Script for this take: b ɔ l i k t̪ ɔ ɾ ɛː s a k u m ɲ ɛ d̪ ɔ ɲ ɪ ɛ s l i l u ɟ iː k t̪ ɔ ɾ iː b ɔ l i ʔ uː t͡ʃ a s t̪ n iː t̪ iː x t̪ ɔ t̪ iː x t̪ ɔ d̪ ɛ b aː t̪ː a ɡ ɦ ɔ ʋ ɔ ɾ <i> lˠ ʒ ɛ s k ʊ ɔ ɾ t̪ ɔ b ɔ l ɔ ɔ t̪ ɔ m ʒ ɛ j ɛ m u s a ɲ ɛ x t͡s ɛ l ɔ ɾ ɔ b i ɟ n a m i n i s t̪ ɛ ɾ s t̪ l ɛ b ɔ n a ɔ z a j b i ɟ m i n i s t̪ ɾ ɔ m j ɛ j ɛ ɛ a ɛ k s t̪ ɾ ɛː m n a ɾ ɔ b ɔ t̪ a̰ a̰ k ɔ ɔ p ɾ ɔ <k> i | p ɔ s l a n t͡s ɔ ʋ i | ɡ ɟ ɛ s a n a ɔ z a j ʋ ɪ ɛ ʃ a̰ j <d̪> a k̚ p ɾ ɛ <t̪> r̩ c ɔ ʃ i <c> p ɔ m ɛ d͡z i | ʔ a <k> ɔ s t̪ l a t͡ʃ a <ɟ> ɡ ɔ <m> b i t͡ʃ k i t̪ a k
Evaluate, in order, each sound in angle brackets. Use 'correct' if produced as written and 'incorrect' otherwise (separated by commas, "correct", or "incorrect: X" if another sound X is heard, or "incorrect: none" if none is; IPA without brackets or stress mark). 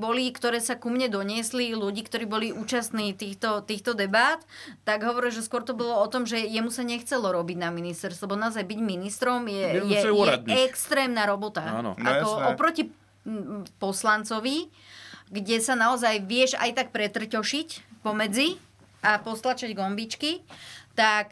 correct, incorrect: c, incorrect: t̪, correct, correct, incorrect: p, correct, correct